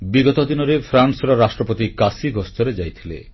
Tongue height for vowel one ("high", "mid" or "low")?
high